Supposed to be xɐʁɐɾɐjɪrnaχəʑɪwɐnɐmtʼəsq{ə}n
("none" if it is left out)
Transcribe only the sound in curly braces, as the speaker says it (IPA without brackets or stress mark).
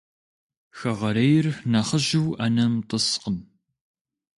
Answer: ə